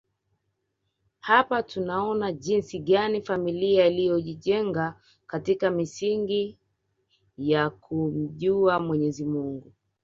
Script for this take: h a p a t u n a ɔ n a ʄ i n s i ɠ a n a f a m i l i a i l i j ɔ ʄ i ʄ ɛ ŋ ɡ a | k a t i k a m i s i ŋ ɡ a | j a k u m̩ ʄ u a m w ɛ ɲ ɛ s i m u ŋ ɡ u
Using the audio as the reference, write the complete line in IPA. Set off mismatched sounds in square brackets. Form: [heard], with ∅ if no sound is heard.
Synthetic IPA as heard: h a p a t u n a ɔ n a ʄ i n s i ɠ a n [i] f a m i l i a i l i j ɔ ʄ i ʄ ɛ ŋ ɡ a | k a t i k a m i s i ŋ ɡ [i] | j a k u m̩ ʄ u a m w ɛ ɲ ɛ [z] i m u ŋ ɡ u